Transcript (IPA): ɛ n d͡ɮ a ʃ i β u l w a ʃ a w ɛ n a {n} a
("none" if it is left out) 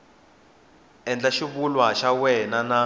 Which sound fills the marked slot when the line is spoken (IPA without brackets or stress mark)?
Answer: n